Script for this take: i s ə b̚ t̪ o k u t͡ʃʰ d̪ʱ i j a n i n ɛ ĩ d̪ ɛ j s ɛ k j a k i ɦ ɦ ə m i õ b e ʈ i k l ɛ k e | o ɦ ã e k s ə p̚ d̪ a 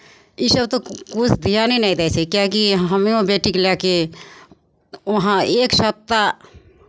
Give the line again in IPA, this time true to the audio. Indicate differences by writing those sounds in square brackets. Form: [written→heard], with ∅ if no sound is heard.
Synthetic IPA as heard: i s ə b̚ t̪ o k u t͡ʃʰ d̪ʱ i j a n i n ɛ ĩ d̪ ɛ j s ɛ k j a k i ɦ ɦ ə m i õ b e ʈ i k l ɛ k e | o ɦ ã e k s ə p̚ [d̪→t̪] a